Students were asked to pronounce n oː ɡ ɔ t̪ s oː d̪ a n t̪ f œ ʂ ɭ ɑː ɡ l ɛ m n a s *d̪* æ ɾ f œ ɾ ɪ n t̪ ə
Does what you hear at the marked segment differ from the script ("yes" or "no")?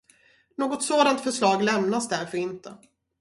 no